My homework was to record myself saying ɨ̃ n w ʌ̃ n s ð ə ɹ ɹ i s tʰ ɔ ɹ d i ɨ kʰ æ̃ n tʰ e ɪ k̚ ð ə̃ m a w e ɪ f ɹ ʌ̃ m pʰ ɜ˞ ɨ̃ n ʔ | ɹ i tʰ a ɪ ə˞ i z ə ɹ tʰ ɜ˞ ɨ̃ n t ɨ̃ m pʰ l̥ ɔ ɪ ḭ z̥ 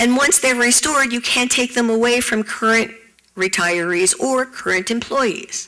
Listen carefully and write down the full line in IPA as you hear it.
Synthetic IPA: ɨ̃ n w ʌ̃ n s ð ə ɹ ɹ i s t ɔ ɹ d j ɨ kʰ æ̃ n tʰ e ɪ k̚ ð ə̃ m ə w e ɪ f ɹ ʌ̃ m kʰ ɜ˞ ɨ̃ n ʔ | ɹ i tʰ a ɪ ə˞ i z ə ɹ kʰ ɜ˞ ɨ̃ n t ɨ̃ m pʰ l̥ ɔ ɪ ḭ z̥